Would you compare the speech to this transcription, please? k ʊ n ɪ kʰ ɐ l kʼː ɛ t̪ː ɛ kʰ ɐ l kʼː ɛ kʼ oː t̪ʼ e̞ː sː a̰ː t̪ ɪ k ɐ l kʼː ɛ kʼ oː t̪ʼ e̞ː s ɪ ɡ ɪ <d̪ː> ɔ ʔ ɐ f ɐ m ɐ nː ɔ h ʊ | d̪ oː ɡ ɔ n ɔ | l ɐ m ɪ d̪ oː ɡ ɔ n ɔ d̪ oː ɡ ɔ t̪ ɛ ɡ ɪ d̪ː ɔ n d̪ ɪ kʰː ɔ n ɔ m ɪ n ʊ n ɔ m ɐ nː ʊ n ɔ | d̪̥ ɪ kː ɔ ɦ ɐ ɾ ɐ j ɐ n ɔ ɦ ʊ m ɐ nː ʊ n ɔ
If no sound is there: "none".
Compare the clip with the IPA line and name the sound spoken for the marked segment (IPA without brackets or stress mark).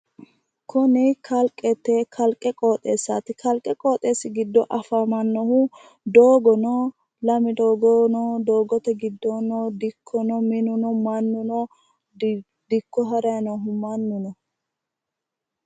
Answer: d̪ː